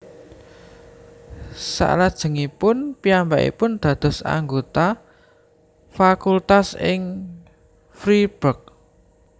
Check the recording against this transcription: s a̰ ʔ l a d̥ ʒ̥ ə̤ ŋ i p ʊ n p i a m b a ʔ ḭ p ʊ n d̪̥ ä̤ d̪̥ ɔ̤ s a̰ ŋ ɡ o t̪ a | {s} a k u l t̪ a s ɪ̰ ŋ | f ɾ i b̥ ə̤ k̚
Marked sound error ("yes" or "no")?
yes